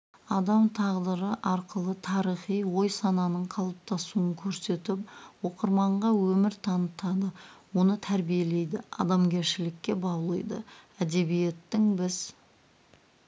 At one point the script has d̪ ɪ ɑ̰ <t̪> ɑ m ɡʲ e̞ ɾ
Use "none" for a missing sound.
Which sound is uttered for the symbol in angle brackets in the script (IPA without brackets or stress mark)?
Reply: d̪